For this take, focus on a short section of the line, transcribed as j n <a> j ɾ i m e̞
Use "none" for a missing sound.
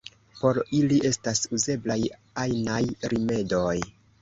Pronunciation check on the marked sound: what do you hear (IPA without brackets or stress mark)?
a